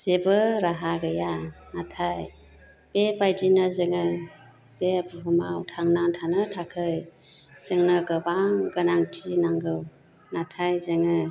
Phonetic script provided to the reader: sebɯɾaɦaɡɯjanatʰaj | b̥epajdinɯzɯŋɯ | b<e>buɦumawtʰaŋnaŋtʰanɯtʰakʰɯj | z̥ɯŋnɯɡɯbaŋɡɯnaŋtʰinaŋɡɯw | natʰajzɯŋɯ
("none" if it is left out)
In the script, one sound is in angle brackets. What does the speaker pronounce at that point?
e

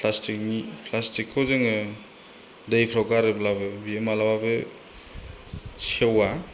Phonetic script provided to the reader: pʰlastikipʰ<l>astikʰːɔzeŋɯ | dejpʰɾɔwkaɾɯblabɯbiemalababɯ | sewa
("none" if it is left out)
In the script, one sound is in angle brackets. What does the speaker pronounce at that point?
l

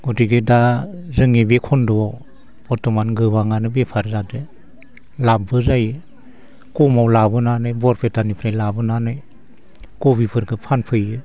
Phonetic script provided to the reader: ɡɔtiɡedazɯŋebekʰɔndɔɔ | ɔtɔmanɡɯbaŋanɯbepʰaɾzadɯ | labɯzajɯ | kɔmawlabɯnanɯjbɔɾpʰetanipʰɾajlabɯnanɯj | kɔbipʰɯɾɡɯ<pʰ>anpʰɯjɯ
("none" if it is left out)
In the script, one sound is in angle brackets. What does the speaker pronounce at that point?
pʰ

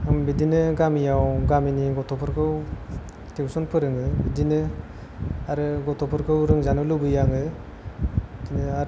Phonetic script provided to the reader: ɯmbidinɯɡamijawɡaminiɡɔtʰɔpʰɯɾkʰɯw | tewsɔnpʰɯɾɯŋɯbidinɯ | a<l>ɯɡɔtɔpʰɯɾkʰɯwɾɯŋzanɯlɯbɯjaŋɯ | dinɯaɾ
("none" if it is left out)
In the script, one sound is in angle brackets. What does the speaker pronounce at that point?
ɾ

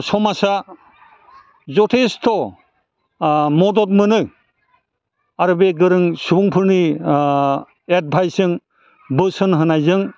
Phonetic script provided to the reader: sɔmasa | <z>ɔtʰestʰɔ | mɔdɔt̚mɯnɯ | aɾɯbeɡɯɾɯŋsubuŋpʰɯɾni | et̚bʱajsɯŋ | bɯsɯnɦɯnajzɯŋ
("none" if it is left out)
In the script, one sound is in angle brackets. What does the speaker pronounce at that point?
z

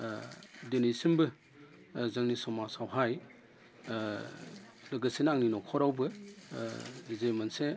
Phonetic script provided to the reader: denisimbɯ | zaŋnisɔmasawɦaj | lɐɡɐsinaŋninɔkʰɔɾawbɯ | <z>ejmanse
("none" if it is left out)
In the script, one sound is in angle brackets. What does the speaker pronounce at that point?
z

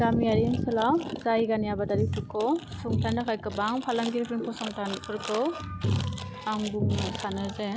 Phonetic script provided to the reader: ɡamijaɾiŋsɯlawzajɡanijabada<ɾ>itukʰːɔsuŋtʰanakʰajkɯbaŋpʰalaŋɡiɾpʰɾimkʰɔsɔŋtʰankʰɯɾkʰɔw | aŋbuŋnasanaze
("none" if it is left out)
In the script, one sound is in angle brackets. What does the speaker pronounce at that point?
ɾ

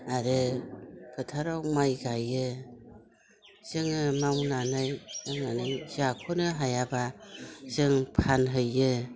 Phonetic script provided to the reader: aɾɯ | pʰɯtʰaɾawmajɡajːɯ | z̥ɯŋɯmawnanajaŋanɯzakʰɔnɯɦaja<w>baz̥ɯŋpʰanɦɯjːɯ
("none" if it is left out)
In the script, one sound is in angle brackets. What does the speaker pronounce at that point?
none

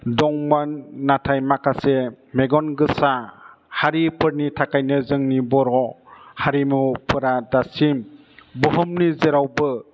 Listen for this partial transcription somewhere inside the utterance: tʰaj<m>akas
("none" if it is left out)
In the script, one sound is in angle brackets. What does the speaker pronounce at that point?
m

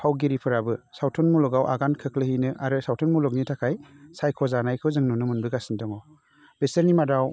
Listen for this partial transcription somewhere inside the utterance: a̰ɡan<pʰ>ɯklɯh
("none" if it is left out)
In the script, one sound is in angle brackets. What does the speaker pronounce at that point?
kʰ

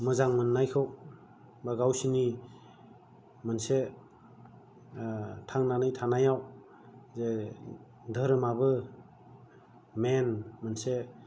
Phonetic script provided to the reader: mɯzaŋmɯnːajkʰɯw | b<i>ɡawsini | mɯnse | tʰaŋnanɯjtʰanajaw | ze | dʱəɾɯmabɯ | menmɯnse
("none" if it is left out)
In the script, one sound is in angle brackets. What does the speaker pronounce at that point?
a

